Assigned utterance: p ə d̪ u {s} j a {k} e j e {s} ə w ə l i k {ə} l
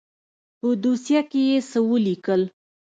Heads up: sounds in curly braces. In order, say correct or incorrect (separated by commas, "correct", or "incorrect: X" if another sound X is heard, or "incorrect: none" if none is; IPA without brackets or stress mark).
correct, correct, correct, correct